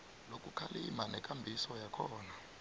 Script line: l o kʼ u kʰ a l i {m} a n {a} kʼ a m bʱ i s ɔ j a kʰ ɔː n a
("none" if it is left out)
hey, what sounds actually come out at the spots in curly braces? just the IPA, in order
m, ɛ

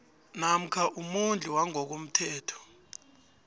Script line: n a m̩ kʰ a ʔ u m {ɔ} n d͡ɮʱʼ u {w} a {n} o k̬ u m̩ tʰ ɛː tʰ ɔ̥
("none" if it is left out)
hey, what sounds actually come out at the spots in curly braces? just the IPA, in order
u, w, ŋ

